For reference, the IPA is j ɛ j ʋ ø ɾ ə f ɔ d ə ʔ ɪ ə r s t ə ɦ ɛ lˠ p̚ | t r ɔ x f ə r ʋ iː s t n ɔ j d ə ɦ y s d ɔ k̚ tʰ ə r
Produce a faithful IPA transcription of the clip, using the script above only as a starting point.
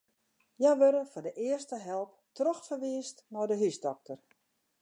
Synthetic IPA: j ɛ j ʋ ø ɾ ə f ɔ d ə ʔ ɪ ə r s t ə ɦ ɛ lˠ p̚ | t r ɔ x f ə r ʋ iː s t n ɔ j d ə ɦ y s d ɔ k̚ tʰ ə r